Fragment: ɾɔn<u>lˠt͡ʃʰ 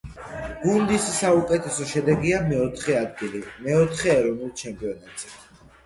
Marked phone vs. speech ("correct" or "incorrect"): correct